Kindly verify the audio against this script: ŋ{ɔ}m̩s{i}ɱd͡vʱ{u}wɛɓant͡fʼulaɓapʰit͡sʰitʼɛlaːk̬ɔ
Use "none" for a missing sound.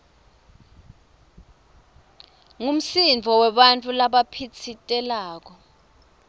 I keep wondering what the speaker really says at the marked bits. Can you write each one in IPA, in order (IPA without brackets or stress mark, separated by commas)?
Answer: u, i, ɔ